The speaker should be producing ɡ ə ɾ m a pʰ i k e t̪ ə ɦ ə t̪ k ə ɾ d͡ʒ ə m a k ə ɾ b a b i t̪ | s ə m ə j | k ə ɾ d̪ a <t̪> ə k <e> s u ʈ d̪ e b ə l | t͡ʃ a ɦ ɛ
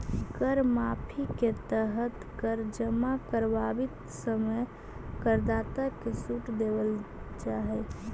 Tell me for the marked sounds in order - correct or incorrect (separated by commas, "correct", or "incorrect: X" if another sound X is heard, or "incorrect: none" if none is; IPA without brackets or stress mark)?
correct, correct